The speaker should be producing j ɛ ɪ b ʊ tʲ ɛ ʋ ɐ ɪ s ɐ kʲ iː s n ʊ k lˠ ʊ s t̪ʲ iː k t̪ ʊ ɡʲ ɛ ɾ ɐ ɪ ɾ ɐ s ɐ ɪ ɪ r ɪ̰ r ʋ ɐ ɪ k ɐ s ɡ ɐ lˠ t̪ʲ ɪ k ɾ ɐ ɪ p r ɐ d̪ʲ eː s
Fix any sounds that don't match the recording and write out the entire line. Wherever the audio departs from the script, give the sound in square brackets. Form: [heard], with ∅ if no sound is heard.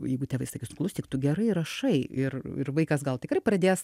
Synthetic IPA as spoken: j ɛ ɪ [ɡ] ʊ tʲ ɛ ʋ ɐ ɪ s ɐ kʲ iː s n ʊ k lˠ ʊ s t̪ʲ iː k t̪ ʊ ɡʲ ɛ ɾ ɐ ɪ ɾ ɐ [ʃ] ɐ ɪ ɪ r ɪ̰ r ʋ ɐ ɪ k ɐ s ɡ ɐ lˠ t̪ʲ ɪ k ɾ ɐ ɪ p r ɐ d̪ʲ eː s